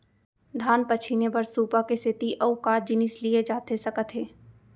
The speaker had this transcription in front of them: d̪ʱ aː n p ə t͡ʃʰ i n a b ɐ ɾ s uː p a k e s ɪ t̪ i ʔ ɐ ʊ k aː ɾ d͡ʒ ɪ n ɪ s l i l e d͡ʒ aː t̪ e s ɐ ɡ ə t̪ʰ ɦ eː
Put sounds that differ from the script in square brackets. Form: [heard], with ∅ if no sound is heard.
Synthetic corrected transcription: d̪ʱ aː n p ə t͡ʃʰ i n [e] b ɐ ɾ s uː p a k e s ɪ t̪ i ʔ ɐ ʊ k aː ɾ d͡ʒ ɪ n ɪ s l i [∅] e d͡ʒ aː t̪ e s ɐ [k] ə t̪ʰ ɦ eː